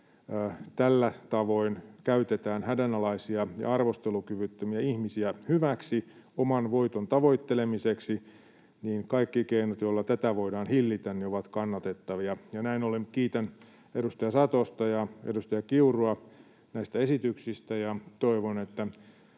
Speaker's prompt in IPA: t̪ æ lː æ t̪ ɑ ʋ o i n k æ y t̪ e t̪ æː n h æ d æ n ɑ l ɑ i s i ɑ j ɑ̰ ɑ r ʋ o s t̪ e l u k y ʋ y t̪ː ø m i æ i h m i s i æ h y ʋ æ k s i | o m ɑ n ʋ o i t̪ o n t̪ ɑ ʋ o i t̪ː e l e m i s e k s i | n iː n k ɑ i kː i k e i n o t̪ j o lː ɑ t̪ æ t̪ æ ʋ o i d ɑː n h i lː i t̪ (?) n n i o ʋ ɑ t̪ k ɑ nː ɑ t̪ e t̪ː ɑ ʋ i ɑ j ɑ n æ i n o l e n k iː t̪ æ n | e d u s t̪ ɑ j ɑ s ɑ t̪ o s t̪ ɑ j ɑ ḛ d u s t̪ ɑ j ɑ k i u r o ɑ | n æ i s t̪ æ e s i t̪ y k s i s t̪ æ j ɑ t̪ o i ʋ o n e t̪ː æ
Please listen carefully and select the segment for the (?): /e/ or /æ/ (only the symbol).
æ